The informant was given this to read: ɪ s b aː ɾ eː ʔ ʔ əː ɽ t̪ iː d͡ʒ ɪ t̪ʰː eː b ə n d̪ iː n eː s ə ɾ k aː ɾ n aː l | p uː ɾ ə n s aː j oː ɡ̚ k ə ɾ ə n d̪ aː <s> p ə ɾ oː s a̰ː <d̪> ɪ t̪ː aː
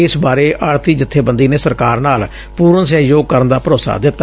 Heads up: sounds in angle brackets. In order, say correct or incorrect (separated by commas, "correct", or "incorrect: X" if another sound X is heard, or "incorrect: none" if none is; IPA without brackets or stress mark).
incorrect: none, correct